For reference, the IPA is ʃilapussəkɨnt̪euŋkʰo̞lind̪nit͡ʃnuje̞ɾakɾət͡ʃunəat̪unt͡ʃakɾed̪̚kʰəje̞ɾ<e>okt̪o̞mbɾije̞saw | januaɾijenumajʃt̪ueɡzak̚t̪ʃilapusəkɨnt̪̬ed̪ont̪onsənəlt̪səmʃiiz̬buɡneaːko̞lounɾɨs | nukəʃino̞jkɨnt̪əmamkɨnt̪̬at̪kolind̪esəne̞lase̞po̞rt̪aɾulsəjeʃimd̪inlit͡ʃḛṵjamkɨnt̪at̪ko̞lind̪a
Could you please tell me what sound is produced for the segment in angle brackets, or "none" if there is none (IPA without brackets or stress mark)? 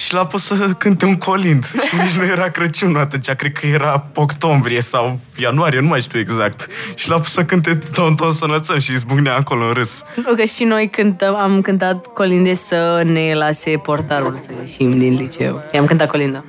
a